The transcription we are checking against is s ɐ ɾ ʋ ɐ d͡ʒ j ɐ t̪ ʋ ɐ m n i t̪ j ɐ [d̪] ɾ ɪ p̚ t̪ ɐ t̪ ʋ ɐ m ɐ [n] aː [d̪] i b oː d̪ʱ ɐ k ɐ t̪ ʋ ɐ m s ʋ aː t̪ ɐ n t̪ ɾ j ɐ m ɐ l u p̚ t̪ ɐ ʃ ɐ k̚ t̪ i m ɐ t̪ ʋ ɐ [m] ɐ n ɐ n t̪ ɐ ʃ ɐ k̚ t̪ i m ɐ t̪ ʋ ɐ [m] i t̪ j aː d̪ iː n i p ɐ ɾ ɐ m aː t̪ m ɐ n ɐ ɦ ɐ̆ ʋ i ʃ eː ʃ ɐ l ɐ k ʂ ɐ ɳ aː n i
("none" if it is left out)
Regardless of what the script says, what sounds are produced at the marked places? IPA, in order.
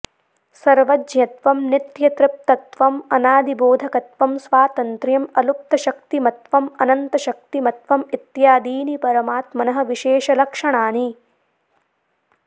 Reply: t̪, n, d̪, m, m

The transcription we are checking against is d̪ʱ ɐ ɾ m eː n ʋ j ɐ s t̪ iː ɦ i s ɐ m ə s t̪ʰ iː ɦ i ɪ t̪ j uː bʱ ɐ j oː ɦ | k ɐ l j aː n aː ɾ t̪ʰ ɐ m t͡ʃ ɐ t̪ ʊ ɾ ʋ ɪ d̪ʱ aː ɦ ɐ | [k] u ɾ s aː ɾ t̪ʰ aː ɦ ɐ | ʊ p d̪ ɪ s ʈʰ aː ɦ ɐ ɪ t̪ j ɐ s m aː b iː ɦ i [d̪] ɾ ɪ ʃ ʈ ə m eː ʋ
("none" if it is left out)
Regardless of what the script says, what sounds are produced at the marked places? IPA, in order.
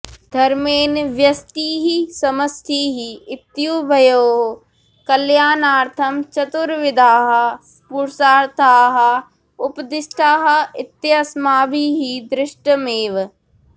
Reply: p, d̪

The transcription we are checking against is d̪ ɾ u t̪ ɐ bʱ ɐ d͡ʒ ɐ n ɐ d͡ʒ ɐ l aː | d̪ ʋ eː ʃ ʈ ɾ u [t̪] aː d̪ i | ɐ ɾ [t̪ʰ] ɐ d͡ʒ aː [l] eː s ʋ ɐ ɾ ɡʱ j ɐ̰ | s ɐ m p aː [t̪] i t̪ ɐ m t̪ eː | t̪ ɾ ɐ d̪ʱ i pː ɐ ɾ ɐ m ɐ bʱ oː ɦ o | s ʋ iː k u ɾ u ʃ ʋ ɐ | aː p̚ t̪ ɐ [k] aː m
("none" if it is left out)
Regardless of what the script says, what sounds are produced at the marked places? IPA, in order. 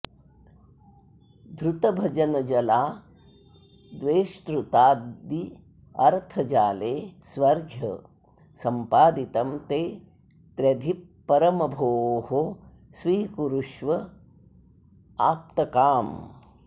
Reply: t̪, t̪ʰ, l, d̪, k

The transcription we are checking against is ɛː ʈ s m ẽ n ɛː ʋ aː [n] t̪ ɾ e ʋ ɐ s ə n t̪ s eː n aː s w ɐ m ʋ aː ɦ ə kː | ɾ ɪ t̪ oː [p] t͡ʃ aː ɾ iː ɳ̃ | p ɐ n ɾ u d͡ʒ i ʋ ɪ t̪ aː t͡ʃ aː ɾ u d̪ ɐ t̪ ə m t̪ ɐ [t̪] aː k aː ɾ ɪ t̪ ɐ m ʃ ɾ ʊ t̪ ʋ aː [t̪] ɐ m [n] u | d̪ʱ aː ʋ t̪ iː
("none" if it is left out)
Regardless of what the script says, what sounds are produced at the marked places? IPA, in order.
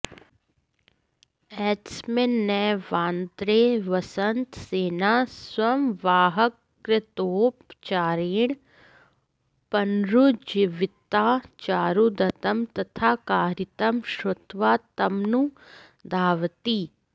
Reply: n, p, t̪ʰ, t̪, n

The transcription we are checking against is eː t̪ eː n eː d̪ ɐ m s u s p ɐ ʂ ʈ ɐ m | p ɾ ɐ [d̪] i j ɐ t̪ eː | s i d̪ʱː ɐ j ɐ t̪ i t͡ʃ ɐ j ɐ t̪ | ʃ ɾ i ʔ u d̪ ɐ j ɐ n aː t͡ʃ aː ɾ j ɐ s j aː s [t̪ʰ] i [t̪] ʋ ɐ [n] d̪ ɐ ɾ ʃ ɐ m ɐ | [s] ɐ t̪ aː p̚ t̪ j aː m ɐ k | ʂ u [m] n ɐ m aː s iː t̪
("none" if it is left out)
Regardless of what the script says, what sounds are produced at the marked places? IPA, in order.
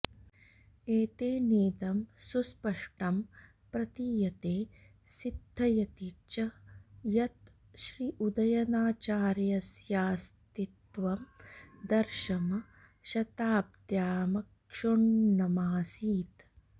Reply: t̪, t̪, t̪, m, ʃ, ɳ

